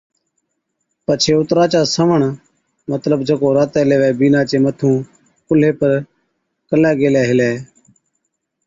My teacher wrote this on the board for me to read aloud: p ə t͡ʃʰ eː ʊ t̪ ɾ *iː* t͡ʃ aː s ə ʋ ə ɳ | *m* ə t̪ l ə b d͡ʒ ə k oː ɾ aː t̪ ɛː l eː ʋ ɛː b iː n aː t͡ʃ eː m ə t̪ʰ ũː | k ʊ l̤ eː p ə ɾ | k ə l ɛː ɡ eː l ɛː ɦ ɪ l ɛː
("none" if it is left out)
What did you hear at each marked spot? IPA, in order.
aː, m

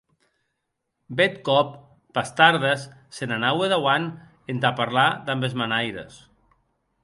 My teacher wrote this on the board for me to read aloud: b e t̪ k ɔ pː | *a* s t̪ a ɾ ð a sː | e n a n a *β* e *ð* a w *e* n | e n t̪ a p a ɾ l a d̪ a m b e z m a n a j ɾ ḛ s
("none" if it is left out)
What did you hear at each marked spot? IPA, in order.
a, w, ð, a

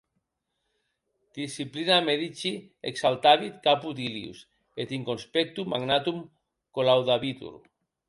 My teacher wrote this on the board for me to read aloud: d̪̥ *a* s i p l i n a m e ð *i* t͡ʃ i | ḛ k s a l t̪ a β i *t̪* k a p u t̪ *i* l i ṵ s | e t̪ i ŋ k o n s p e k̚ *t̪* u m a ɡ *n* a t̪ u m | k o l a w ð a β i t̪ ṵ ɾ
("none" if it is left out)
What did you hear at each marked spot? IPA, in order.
i, i, t̪, i, t̪, n

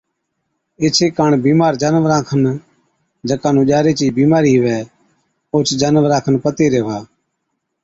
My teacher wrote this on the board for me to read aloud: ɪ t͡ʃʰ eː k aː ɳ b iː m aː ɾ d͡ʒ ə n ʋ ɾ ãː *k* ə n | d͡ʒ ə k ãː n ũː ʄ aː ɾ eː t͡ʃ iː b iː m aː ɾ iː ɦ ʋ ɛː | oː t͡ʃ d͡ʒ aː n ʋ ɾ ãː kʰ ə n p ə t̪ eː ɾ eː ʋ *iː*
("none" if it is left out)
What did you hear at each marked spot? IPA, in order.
kʰ, aː

